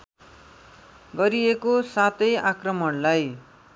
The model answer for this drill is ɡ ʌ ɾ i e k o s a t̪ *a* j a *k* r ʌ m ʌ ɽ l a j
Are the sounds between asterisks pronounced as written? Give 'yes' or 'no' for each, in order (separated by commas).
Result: no, yes